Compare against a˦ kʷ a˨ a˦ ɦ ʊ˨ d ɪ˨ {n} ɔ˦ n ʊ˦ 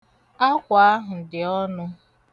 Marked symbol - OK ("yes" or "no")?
no